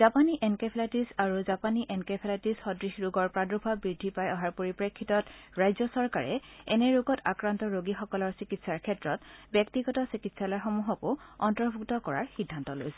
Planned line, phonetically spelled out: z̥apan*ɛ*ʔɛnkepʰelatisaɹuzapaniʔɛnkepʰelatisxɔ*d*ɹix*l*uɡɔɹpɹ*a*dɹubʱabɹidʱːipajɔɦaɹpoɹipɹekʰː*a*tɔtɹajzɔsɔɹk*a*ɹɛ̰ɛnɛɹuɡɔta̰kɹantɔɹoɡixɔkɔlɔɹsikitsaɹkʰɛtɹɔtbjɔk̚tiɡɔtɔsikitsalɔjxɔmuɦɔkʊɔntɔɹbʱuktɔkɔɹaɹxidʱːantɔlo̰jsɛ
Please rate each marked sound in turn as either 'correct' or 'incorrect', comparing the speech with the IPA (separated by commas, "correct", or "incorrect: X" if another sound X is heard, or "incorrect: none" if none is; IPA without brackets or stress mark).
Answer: incorrect: i, correct, incorrect: ɹ, correct, incorrect: i, correct